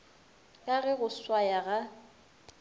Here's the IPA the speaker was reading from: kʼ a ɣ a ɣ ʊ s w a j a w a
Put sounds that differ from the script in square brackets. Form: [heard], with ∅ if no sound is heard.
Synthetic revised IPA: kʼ a ɣ [ɛ] ɣ ʊ s w a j a [ɣ] a